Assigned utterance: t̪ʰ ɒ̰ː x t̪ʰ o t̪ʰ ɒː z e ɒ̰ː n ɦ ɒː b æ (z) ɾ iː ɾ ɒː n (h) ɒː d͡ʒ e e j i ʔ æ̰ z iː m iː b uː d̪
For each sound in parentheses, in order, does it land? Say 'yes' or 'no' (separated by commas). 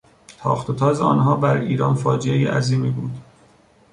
no, no